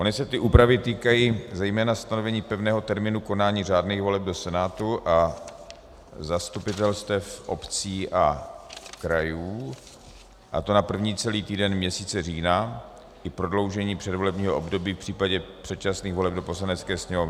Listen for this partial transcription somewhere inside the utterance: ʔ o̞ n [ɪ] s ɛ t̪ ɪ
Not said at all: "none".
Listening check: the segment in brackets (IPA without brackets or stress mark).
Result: ɪ